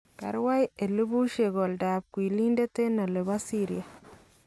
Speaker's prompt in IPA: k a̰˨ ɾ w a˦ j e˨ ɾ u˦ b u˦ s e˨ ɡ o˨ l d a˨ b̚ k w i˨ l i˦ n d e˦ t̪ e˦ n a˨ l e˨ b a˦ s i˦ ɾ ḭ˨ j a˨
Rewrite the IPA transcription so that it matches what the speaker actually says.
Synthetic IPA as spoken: k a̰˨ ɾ w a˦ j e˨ l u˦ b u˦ ʃ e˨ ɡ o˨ l d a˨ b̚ k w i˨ l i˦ n d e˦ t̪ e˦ n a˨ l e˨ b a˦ s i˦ ɾ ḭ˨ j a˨